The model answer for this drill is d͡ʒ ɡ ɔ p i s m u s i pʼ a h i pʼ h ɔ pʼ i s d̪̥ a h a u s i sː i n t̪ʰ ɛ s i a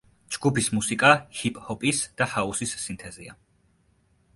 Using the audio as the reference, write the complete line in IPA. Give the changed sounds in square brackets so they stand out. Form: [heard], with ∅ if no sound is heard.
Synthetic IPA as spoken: d͡ʒ ɡ [u] p i s m u s i [kʼ] a h i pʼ h ɔ pʼ i s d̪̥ a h a u s i sː i n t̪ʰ ɛ [z] i a